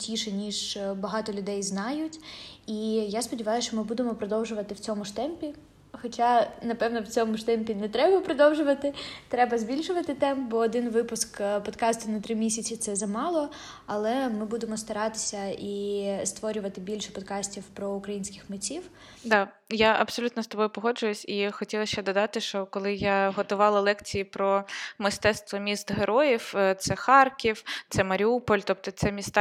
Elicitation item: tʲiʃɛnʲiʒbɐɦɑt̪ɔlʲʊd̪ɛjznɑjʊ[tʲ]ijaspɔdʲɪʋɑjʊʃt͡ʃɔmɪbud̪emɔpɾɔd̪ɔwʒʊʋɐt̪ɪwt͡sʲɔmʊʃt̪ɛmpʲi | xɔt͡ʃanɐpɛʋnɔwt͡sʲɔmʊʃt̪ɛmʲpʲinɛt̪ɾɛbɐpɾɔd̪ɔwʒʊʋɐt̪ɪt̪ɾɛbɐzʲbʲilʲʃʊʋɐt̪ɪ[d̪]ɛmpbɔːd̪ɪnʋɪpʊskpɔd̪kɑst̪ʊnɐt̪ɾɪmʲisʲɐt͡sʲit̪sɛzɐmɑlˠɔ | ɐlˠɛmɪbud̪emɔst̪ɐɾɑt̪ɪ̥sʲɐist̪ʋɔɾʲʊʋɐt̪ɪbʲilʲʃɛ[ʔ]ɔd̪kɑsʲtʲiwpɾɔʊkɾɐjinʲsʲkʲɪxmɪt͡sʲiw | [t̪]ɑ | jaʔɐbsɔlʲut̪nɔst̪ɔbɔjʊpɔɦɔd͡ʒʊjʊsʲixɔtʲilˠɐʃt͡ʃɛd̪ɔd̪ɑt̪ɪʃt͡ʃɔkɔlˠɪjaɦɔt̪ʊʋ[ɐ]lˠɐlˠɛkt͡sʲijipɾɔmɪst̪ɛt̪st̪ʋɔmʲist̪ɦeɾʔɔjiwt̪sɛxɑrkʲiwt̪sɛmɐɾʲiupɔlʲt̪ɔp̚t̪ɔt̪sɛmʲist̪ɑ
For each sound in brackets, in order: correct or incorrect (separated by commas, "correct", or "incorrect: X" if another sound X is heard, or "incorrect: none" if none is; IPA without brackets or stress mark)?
correct, incorrect: t̪, incorrect: p, incorrect: d̪, incorrect: ɑ